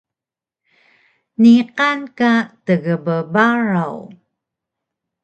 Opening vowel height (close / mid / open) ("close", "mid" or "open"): close